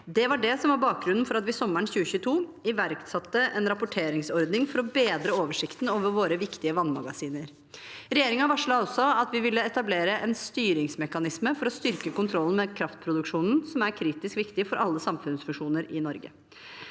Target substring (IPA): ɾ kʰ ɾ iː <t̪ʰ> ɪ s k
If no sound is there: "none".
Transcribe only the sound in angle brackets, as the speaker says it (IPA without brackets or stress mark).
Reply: t̪